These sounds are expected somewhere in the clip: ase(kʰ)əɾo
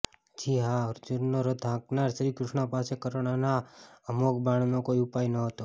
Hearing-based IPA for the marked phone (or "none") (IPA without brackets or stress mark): k